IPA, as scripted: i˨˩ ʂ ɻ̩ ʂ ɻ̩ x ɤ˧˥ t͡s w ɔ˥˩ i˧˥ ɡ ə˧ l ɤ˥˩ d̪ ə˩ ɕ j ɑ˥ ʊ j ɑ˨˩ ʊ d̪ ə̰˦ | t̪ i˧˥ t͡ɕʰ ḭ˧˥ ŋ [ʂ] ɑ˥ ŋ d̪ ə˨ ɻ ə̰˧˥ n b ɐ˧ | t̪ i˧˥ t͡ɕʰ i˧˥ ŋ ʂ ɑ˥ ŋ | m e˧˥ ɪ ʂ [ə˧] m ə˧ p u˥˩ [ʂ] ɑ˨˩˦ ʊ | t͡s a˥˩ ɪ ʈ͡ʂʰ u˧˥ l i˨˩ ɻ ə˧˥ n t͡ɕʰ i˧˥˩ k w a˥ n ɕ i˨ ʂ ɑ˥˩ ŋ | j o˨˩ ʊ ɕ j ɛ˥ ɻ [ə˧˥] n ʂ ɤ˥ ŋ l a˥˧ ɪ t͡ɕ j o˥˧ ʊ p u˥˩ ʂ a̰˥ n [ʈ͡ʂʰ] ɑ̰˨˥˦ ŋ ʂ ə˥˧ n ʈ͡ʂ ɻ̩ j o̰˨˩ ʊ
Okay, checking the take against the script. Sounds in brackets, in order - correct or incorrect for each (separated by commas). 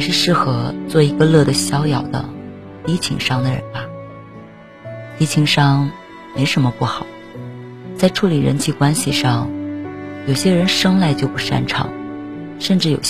correct, incorrect, incorrect, correct, correct